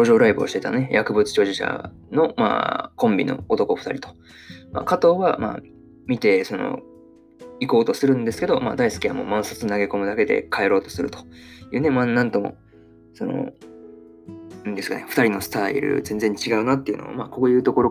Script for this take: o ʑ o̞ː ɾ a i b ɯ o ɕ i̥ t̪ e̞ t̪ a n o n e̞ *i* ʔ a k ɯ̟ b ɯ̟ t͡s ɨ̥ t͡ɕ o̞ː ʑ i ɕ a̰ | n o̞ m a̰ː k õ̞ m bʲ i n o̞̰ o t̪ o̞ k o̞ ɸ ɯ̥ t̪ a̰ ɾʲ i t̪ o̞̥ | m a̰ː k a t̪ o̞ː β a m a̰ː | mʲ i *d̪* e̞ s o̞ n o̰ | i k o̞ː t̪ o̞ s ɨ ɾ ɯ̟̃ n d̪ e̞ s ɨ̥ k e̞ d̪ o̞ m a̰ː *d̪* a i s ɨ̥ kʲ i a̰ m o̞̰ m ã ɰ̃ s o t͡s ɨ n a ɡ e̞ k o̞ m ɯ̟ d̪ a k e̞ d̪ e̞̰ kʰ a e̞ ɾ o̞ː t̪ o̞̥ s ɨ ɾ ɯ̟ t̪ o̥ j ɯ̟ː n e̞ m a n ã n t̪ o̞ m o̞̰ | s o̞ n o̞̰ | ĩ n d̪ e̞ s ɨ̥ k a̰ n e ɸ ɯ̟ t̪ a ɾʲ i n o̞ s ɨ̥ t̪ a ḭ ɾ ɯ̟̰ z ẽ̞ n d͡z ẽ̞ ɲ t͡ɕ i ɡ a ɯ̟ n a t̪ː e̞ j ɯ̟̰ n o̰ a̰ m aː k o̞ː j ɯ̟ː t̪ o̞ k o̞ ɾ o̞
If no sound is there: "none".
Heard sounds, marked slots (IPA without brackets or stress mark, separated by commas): j, t̪, d̪